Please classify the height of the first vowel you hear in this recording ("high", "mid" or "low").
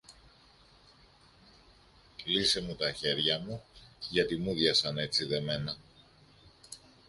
high